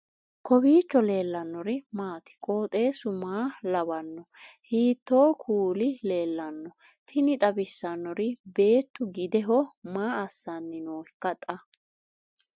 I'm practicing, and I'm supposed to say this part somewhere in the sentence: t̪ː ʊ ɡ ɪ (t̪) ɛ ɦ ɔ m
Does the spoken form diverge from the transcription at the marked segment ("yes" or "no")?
yes